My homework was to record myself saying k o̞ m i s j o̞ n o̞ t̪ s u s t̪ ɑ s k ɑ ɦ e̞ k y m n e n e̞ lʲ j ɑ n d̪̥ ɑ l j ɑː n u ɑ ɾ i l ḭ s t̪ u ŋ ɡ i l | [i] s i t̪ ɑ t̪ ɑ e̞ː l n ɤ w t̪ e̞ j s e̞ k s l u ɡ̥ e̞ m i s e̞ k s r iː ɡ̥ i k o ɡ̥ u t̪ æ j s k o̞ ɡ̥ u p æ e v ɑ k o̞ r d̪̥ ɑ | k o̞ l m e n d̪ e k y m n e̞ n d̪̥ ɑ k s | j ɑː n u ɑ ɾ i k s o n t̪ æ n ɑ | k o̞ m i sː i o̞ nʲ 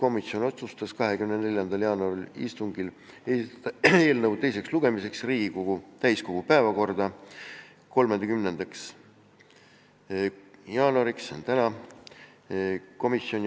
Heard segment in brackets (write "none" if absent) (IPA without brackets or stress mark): e